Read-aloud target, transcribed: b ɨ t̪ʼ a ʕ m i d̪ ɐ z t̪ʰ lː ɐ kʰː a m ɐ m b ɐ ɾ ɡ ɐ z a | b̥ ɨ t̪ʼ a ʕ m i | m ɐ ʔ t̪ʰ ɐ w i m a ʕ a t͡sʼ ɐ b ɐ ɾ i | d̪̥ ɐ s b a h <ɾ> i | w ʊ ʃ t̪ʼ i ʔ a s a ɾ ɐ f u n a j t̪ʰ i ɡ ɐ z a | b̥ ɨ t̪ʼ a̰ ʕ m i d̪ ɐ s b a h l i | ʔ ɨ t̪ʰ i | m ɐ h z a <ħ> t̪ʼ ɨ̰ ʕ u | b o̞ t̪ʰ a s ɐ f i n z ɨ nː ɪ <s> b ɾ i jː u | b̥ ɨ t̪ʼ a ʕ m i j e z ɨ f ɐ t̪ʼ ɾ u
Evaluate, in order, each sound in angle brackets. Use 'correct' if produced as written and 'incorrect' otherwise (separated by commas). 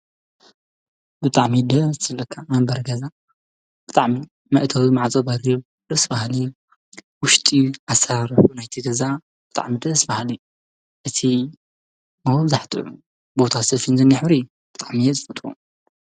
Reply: incorrect, correct, incorrect